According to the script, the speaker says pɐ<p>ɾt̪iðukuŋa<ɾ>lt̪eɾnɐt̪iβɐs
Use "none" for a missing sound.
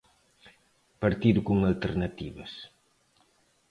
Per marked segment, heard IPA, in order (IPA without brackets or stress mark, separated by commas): none, none